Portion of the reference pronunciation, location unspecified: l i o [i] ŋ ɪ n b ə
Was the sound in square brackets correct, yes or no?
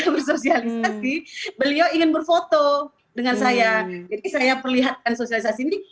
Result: yes